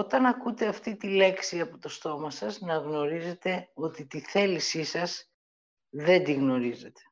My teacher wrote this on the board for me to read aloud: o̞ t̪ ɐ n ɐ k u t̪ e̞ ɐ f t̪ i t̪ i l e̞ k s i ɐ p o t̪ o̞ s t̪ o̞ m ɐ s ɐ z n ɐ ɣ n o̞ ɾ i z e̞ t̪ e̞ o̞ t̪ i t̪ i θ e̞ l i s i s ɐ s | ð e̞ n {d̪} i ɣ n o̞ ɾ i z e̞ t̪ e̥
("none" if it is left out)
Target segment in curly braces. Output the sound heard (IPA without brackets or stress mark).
d̪